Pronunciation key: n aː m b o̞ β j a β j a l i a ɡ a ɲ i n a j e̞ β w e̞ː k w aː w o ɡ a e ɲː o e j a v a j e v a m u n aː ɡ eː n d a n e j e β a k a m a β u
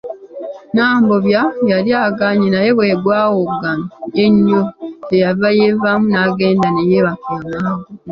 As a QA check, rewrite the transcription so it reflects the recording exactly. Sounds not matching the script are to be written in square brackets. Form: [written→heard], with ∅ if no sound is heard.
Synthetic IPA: n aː m b o̞ β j a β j a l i a ɡ a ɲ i n a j e̞ β w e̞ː [k→ɡ] w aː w o ɡ a e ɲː o e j a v a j e v a m u n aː ɡ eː n d a n e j e β a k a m a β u